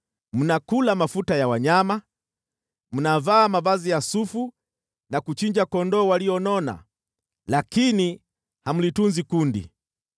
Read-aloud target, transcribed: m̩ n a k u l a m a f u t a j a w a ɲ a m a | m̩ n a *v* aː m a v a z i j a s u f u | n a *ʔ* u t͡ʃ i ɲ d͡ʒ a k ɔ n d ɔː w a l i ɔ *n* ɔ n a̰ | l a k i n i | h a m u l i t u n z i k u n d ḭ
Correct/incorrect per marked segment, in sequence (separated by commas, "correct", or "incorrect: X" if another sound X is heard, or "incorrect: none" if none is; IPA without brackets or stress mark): correct, incorrect: k, correct